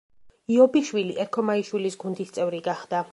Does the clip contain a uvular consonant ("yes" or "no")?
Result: yes